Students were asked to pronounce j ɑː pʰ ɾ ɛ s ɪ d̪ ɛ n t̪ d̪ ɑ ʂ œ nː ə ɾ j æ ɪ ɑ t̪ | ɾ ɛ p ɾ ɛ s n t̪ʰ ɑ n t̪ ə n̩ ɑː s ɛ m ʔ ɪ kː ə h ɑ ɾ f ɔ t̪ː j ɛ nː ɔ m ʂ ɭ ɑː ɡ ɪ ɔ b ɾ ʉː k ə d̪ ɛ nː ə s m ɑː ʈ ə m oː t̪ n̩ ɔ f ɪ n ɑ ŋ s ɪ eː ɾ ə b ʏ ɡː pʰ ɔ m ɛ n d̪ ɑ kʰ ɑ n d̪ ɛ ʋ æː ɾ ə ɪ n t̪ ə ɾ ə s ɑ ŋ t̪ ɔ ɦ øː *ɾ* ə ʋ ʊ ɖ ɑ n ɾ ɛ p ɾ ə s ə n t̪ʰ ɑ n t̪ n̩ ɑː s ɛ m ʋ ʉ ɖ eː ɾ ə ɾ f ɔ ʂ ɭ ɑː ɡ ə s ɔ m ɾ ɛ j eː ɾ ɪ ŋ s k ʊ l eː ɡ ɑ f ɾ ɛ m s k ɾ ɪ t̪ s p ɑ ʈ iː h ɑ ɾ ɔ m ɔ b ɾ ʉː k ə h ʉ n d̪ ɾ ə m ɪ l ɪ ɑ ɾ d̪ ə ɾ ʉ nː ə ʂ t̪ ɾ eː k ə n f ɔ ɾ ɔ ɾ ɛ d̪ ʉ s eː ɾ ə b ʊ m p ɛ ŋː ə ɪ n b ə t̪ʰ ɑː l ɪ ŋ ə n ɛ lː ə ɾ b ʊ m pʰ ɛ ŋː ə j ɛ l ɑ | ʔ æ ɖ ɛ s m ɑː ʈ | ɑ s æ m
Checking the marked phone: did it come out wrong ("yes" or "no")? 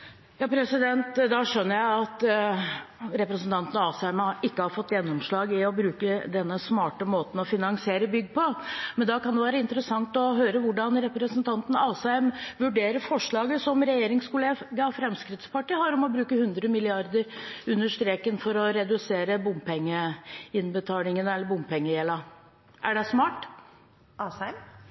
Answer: no